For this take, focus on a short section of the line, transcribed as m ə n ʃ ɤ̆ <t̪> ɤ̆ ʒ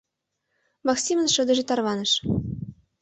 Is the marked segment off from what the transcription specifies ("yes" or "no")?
yes